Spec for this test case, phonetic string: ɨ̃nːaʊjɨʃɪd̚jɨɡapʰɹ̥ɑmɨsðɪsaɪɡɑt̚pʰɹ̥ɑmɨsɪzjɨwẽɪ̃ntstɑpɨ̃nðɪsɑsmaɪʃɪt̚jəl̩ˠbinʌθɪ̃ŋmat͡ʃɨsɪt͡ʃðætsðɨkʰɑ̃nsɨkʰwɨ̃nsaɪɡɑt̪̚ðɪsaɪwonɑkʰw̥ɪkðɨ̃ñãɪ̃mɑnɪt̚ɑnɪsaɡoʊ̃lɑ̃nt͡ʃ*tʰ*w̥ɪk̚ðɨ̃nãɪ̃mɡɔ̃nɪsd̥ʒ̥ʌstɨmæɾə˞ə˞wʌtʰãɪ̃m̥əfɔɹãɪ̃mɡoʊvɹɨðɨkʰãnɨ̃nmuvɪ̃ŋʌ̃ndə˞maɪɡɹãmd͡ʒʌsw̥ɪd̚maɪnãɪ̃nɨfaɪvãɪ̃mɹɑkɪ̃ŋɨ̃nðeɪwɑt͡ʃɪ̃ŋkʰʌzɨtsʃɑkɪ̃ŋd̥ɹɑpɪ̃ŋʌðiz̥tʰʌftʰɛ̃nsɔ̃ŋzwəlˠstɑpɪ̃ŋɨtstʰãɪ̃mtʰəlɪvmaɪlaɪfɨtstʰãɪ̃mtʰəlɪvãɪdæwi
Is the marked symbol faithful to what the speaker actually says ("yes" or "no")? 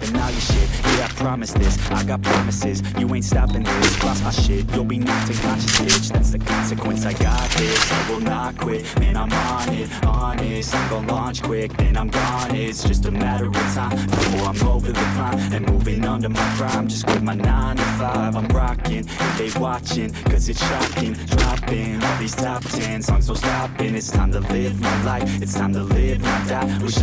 no